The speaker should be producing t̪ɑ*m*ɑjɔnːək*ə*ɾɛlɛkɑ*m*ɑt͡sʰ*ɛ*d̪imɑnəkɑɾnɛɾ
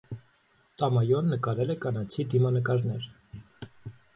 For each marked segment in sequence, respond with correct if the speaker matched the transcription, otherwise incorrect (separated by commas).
correct, incorrect, incorrect, incorrect